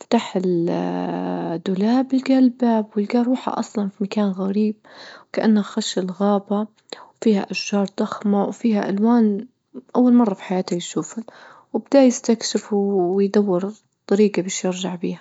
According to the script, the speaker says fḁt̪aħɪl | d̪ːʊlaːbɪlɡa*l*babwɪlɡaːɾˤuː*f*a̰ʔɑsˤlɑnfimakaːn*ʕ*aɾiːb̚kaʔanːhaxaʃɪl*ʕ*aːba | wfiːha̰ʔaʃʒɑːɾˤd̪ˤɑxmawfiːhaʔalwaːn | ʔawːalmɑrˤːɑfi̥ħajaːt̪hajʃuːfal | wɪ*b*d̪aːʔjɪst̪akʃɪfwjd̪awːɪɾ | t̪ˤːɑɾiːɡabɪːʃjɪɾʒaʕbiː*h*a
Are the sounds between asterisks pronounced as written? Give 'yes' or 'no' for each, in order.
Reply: yes, no, no, no, yes, yes

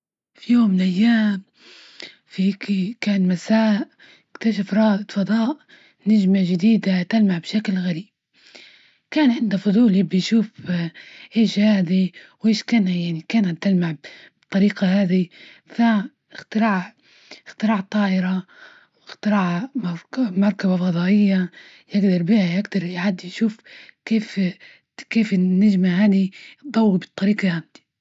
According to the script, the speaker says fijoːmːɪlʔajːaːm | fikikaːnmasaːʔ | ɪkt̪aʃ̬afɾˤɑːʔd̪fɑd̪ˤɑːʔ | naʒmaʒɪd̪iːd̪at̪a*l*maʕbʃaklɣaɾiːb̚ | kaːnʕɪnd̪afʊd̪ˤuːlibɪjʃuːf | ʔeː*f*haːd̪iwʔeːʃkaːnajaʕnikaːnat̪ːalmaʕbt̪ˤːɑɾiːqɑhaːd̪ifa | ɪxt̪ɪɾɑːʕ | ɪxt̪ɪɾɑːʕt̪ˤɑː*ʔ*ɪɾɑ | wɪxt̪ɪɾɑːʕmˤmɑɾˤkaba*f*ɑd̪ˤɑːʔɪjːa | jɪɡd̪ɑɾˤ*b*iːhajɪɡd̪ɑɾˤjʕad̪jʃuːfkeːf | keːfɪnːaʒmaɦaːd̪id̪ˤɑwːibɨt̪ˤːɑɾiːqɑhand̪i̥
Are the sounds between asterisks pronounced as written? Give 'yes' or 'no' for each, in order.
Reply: yes, no, yes, yes, yes

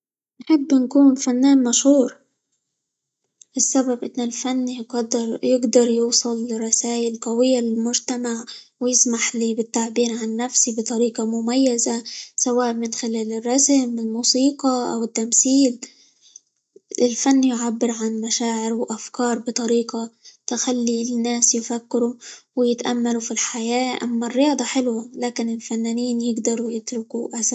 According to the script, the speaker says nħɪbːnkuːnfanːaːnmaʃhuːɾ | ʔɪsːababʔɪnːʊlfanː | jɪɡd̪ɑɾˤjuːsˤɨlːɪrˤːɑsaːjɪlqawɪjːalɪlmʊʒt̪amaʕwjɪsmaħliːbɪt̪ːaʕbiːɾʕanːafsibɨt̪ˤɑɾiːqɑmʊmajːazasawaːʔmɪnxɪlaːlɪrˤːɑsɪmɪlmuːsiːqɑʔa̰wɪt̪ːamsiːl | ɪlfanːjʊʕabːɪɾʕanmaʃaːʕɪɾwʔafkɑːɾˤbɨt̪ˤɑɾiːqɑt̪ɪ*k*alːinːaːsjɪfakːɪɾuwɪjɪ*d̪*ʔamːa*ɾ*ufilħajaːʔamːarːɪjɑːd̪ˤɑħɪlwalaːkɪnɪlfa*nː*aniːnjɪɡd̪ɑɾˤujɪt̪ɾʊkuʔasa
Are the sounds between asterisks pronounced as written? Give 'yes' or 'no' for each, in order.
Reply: no, no, no, yes

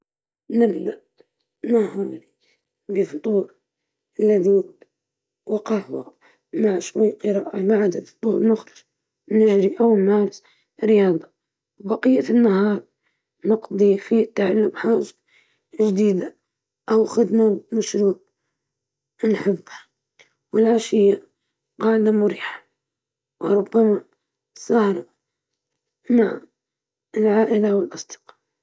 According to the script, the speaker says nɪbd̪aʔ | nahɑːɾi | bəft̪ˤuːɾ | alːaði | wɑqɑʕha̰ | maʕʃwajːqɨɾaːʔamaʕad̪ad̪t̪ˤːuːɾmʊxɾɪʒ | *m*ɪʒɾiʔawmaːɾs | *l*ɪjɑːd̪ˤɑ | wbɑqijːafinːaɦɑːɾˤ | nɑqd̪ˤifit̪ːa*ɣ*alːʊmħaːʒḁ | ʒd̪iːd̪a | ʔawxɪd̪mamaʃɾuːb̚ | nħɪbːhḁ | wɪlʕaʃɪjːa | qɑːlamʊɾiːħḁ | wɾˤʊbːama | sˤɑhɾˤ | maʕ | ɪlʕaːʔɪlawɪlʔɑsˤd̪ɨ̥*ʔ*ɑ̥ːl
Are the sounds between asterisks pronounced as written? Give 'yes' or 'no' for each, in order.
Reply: no, no, no, no

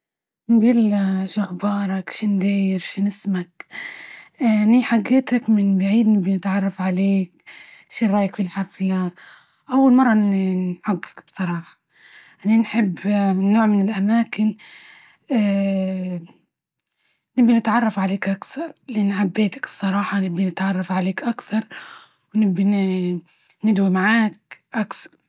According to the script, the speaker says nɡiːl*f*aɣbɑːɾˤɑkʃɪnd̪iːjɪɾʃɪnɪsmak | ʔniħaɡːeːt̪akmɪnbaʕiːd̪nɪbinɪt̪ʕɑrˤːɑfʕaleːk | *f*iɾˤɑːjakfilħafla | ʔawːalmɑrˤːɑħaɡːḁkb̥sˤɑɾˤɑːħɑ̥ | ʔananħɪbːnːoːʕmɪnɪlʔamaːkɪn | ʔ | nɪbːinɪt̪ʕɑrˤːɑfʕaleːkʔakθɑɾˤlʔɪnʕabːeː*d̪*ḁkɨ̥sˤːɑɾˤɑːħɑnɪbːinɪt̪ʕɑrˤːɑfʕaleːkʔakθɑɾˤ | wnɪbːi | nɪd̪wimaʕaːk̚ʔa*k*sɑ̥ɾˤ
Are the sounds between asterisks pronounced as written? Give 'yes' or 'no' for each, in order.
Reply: no, no, no, yes

